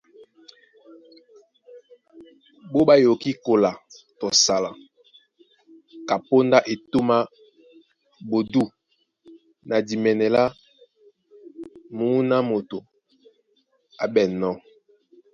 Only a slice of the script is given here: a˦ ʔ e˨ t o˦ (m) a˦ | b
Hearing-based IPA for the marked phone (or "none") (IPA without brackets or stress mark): m